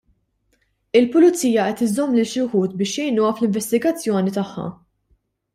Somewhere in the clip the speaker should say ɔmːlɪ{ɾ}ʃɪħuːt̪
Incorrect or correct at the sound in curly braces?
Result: incorrect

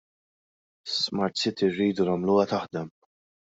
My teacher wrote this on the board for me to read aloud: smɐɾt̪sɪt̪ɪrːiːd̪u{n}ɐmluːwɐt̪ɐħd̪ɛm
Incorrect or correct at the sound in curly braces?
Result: correct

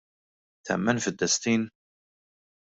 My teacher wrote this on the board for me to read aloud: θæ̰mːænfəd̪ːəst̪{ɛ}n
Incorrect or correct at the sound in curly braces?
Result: incorrect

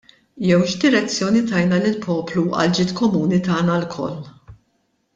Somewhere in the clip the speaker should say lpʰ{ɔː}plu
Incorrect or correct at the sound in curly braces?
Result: correct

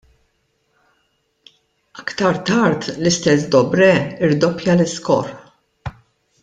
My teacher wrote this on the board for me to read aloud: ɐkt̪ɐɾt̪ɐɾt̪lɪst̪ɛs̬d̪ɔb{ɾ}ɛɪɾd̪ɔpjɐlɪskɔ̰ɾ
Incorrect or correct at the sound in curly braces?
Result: correct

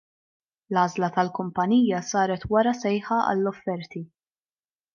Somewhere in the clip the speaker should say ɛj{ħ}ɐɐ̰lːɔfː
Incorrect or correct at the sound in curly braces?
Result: correct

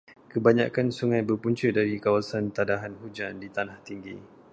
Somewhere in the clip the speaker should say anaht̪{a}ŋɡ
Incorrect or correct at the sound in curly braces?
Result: incorrect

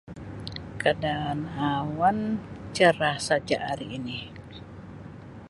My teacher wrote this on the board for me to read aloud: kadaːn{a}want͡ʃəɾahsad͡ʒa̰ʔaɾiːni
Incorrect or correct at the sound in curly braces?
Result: correct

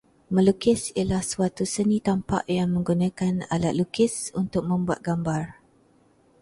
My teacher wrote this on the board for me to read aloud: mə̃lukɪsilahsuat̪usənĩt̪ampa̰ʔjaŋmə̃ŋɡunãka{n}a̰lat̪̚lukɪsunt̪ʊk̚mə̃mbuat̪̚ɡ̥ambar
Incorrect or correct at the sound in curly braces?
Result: correct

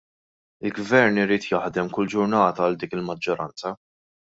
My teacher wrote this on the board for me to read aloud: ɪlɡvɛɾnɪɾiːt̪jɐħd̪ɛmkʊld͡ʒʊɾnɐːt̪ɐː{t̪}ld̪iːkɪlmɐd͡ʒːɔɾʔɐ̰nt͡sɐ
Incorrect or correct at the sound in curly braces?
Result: incorrect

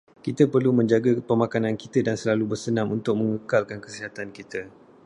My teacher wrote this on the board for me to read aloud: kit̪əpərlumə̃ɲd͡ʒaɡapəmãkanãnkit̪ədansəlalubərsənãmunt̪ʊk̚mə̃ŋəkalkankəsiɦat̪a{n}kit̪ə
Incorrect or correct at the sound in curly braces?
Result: correct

